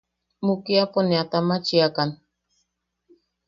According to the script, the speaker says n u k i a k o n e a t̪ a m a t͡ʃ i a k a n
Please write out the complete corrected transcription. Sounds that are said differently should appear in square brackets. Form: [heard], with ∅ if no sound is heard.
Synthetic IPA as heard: [m] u k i a [p] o n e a t̪ a m a t͡ʃ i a k a n